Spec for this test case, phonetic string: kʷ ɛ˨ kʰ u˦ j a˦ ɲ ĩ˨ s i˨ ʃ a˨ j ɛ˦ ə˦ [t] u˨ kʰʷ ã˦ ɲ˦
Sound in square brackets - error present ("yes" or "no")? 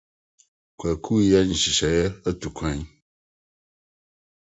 no